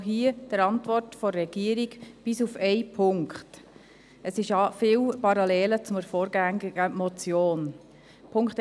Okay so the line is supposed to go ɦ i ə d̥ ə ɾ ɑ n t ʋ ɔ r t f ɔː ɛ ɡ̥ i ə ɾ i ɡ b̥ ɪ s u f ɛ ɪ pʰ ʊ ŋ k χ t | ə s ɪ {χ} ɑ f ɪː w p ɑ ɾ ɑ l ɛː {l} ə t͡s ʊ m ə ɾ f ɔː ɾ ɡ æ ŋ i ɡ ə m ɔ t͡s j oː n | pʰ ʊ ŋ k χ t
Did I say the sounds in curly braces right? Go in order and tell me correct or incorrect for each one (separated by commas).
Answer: incorrect, correct